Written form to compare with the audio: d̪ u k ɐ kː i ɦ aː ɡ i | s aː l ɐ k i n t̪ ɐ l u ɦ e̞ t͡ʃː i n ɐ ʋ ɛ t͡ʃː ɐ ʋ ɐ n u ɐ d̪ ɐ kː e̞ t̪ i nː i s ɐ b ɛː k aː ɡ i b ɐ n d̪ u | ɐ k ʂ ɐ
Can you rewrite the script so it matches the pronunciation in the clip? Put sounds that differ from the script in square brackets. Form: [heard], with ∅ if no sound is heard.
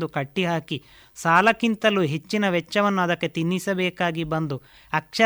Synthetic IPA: d̪ u k ɐ [ʈː] i ɦ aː [k] i | s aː l ɐ k i n t̪ ɐ l u ɦ e̞ t͡ʃː i n ɐ ʋ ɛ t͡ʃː ɐ ʋ ɐ [nː] u ɐ d̪ ɐ kː e̞ t̪ i nː i s ɐ b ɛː k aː ɡ i b ɐ n d̪ u | ɐ k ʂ ɐ